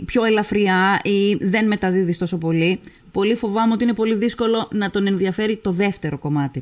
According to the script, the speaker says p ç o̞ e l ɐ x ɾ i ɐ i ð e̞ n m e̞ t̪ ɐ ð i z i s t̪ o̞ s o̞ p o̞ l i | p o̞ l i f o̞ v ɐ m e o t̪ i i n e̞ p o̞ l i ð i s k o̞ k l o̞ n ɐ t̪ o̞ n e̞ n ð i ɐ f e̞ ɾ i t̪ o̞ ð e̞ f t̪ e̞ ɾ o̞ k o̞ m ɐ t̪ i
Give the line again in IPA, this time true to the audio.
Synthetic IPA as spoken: p ç o̞ e l ɐ f ɾ i ɐ i ð e̞ n m e̞ t̪ ɐ ð i ð i s t̪ o̞ s o̞ p o̞ l i | p o̞ l i f o̞ v ɐ m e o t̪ i i n e̞ p o̞ l i ð i s k o̞ l o̞ n ɐ t̪ o̞ n e̞ n ð i ɐ f e̞ ɾ i t̪ o̞ ð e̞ f t̪ e̞ ɾ o̞ k o̞ m ɐ t̪ i